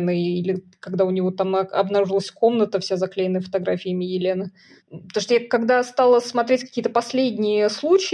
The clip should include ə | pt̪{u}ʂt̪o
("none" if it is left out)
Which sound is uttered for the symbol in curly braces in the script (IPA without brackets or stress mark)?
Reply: o